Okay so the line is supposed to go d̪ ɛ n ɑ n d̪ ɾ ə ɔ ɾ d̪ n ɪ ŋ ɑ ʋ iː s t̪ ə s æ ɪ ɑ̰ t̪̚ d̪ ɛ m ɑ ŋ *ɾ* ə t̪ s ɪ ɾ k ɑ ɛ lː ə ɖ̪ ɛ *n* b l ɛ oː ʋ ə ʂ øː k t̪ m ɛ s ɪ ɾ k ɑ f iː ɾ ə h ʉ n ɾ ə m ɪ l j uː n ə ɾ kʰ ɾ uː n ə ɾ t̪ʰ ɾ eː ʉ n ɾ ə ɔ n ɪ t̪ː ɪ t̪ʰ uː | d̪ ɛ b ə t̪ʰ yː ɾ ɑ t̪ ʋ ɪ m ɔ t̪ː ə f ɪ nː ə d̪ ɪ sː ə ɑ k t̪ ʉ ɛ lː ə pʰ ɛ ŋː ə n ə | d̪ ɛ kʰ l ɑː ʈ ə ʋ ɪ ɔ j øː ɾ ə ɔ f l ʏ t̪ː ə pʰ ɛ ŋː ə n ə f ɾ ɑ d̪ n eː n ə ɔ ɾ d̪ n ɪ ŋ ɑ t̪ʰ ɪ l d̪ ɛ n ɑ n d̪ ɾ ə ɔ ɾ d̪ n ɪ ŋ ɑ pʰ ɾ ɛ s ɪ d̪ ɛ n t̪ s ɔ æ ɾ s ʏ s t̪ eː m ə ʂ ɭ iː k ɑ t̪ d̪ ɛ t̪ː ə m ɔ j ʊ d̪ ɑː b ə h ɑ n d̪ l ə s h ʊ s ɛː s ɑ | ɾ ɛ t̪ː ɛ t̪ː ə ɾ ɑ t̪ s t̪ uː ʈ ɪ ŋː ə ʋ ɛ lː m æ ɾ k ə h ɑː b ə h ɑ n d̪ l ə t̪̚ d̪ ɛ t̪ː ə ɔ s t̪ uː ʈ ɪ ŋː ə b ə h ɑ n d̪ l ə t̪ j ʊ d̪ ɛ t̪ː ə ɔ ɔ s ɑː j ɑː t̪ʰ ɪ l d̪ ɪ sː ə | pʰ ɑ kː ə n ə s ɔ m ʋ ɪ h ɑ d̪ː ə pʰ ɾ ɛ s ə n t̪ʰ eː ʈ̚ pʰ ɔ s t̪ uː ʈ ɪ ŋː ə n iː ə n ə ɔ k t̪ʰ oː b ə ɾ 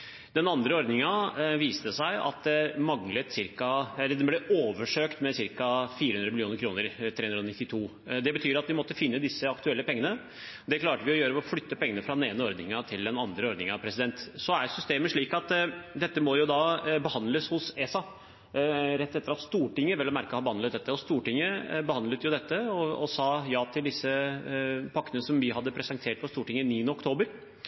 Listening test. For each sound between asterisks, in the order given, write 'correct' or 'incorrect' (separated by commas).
incorrect, correct